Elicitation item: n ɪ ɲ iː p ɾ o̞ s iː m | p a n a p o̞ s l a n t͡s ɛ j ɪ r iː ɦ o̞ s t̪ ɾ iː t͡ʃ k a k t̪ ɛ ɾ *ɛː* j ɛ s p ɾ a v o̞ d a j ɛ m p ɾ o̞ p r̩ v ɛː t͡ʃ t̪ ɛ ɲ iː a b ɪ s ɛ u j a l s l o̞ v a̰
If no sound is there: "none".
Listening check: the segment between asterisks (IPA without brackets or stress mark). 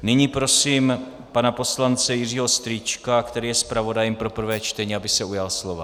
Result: iː